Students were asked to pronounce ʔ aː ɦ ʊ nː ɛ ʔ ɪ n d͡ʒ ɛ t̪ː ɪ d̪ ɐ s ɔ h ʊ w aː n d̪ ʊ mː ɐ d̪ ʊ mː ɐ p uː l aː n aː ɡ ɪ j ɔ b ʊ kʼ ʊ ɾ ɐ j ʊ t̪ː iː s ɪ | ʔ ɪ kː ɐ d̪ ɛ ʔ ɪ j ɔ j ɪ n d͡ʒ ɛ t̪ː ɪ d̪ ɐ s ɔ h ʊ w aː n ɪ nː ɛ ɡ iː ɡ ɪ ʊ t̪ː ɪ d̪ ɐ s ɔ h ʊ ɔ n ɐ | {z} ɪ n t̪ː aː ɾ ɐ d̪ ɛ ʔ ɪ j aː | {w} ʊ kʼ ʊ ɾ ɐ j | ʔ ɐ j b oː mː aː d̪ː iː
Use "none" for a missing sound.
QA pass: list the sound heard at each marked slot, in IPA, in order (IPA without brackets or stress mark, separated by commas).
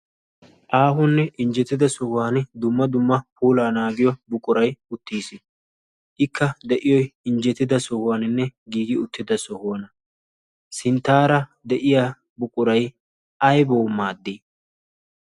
s, b